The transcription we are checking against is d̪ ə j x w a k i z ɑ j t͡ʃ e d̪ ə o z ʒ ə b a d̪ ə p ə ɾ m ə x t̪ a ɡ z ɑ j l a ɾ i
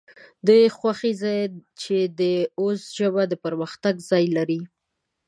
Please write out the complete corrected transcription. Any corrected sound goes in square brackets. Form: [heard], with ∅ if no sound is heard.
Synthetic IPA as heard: d̪ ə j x w a [x] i z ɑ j t͡ʃ e d̪ ə o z ʒ ə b a d̪ ə p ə ɾ m ə x t̪ a ɡ z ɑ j l a ɾ i